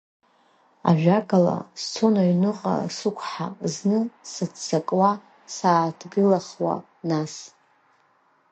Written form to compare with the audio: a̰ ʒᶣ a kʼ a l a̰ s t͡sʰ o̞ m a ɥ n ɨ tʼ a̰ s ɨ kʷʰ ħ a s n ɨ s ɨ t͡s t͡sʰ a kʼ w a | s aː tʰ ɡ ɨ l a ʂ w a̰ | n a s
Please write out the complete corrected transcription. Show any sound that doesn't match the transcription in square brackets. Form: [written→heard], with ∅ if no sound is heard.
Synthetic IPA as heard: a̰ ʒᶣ a kʼ a l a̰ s t͡sʰ o̞ [m→n] a ɥ n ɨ [tʼ→qʼ] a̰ s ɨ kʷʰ ħ a [s→z] n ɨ s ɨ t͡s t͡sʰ a kʼ w a | s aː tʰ ɡ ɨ l a [ʂ→χ] w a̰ | n a s